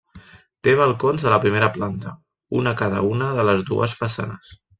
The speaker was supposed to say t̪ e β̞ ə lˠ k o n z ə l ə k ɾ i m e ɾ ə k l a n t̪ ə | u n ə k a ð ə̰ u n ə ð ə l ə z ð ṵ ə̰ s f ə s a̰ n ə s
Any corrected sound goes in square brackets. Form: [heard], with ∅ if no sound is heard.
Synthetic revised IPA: t̪ e β̞ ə lˠ k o n z ə l ə [p] ɾ i m e ɾ ə [p] l a n t̪ ə | u n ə k a ð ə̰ u n ə ð ə l ə z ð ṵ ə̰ s f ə s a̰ n ə s